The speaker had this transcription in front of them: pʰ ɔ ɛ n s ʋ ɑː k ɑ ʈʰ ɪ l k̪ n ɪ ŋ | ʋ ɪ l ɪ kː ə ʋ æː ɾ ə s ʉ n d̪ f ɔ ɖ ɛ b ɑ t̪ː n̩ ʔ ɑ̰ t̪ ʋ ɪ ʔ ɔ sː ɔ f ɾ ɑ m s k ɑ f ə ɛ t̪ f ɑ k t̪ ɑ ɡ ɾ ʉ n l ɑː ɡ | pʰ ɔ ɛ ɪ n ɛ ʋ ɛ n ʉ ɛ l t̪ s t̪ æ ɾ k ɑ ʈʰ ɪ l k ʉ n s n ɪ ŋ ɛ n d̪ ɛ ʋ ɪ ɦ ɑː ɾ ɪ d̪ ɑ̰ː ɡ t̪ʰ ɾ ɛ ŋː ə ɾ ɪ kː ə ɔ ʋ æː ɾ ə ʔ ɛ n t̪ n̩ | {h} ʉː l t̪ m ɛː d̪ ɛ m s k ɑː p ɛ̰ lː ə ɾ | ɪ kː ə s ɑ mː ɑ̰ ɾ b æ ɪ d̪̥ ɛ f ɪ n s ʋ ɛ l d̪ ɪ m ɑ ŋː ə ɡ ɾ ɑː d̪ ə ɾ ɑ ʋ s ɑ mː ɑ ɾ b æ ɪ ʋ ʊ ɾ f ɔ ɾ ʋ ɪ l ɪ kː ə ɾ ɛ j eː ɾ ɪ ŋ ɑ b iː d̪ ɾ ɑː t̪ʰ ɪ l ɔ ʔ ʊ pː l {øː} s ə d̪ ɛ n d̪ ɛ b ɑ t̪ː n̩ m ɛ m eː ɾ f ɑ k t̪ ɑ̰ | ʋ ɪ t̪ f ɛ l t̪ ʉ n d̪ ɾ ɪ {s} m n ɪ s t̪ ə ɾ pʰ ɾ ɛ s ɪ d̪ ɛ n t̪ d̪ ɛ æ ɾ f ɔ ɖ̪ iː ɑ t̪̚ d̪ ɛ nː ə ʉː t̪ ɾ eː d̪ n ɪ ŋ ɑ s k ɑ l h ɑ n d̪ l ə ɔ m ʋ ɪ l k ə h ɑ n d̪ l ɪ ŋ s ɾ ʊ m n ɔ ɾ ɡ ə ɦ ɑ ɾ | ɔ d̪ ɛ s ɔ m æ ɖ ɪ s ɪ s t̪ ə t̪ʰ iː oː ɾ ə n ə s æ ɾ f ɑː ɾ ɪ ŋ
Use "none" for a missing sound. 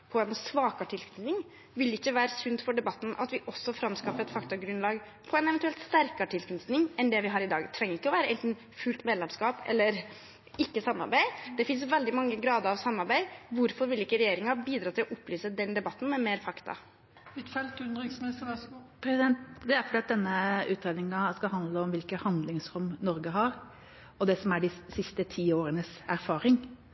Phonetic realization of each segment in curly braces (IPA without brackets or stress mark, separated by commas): f, yː, s